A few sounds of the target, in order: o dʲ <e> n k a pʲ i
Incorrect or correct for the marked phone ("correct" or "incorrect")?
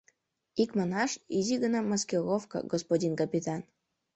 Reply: incorrect